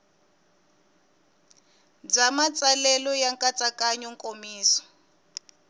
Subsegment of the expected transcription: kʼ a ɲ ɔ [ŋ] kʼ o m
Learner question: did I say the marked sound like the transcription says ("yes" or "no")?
yes